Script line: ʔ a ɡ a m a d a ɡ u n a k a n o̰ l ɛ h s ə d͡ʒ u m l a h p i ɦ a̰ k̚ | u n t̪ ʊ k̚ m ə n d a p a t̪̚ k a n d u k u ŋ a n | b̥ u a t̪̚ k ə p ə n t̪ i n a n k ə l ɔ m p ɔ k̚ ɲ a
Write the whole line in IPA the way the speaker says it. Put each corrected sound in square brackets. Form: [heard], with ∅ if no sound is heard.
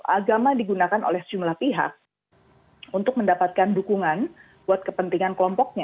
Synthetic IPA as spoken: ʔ a ɡ a m a d [i] ɡ u n a k a n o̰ l ɛ h s ə d͡ʒ u m l a h p i ɦ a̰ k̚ | u n t̪ ʊ k̚ m ə n d a p a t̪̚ k a n d u k u ŋ a n | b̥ u a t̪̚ k ə p ə n t̪ i [ŋ] a n k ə l ɔ m p ɔ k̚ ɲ a